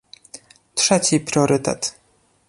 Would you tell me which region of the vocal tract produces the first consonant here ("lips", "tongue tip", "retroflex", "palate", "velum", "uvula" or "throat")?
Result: tongue tip